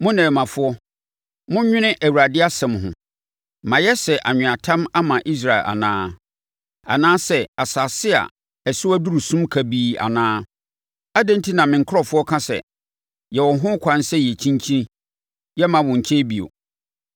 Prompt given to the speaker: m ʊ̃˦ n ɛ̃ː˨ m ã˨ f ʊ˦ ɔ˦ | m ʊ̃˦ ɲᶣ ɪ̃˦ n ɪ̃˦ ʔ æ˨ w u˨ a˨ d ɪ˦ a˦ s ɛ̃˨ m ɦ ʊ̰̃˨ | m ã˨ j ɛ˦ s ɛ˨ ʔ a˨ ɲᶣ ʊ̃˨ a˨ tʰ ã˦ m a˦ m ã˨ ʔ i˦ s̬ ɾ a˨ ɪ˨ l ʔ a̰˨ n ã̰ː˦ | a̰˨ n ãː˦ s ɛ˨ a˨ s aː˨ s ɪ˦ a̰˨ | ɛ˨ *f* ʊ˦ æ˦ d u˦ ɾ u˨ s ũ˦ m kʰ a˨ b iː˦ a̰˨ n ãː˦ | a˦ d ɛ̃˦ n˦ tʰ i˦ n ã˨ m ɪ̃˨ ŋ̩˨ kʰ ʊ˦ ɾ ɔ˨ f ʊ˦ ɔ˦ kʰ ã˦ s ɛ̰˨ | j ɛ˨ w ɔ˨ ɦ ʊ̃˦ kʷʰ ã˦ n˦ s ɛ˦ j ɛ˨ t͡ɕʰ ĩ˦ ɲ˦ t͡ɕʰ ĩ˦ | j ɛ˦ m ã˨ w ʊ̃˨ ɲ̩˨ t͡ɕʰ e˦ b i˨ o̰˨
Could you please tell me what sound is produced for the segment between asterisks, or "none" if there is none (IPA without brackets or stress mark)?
s